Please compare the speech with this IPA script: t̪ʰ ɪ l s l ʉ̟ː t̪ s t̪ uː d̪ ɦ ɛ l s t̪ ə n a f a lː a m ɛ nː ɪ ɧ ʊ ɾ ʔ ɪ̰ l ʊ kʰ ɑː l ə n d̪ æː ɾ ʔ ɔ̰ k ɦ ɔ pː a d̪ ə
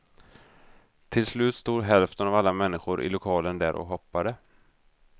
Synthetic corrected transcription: t̪ʰ ɪ l s l ʉ̟ː t̪ s t̪ uː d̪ ɦ ɛ l f t̪ ə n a v a lː a m ɛ nː ɪ ɧ ʊ ɾ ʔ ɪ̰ l ʊ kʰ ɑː l ə n d̪ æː ɾ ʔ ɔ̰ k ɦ ɔ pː a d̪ ə